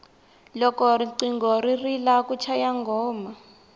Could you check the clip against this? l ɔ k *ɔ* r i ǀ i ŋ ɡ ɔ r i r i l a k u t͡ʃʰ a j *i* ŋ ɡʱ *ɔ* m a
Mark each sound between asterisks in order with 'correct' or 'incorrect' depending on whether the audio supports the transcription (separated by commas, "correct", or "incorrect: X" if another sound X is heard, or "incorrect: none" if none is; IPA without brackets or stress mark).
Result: correct, incorrect: a, incorrect: ɔː